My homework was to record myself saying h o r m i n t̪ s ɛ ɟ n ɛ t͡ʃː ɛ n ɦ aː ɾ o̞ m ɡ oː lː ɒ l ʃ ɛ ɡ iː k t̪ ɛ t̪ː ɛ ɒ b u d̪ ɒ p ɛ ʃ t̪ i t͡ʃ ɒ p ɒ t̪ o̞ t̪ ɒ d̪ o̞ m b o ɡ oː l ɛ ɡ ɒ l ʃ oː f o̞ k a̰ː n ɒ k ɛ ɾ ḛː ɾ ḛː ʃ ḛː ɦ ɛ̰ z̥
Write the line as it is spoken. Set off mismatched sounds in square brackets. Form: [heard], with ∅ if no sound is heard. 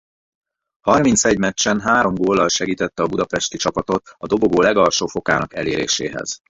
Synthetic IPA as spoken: h [ɒ] r m i n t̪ s ɛ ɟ [m] ɛ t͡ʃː ɛ n ɦ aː ɾ o̞ m ɡ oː lː ɒ l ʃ ɛ ɡ iː [∅] t̪ ɛ t̪ː ɛ ɒ b u d̪ ɒ p ɛ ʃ t̪ i t͡ʃ ɒ p ɒ t̪ o̞ t̪ ɒ d̪ o̞ [∅] b o ɡ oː l ɛ ɡ ɒ l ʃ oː f o̞ k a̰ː n ɒ k ɛ [l] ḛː ɾ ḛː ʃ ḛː ɦ ɛ̰ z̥